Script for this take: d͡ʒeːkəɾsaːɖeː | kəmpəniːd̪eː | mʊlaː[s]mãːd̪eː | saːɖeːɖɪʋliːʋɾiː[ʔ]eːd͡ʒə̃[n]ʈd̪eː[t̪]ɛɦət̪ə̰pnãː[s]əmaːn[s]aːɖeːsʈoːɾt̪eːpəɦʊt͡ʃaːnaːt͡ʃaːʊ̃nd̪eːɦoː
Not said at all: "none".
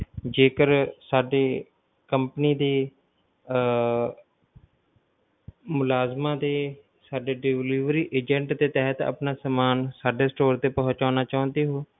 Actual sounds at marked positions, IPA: z, ʔ, ɳ, t̪, s, s

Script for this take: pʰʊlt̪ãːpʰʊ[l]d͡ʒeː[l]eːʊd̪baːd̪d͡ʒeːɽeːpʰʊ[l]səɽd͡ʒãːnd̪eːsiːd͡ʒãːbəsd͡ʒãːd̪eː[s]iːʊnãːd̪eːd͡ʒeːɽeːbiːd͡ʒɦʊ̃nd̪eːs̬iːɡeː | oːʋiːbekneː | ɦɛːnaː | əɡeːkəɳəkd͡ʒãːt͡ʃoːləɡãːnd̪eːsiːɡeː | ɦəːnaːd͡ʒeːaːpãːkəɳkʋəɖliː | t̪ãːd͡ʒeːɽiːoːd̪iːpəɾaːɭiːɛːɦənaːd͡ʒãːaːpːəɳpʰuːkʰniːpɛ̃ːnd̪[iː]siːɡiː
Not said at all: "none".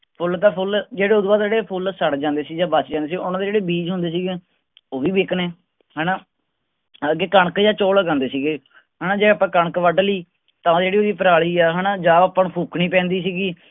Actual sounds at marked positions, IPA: l, ɽ, l, s, iː

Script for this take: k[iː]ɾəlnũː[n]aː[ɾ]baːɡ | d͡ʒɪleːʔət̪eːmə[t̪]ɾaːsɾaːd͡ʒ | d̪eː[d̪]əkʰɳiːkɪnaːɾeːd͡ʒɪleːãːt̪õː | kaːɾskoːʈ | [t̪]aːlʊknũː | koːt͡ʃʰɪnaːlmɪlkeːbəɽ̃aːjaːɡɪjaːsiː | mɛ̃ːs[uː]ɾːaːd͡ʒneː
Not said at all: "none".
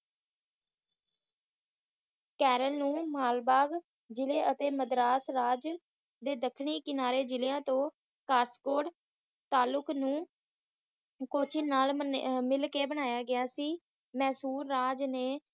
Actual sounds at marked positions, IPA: ɛː, m, l, d̪, d̪, t̪, uː

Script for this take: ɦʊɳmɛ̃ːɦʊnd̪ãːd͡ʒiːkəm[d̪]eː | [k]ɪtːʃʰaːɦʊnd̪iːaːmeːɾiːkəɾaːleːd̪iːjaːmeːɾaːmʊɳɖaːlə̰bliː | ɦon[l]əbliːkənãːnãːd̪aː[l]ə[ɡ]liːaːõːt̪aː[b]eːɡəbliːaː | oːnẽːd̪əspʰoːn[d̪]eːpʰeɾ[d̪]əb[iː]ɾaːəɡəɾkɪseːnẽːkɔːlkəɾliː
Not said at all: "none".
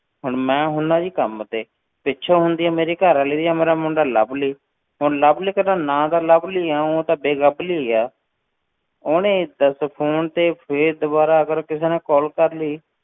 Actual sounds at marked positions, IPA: t̪, p, l, l, b, b, t̪, d̪, aː

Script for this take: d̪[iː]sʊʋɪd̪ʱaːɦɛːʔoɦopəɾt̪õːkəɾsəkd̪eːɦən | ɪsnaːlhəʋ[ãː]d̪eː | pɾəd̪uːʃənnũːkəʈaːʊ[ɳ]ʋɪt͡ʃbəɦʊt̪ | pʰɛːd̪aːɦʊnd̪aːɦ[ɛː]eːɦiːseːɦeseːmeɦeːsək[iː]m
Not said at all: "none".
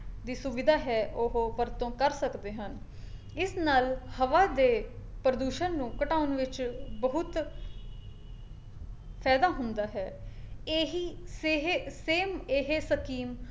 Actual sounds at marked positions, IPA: iː, aː, n, ɛː, iː

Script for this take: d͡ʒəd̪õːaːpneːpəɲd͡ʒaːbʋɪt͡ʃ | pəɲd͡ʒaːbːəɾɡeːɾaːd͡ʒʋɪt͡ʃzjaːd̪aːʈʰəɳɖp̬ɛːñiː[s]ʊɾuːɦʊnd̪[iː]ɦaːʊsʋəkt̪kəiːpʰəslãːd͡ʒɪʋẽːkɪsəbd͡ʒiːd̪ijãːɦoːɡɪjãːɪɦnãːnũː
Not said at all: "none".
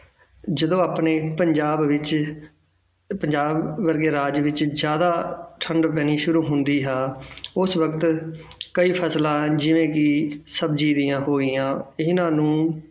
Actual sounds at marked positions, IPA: ʃ, iː

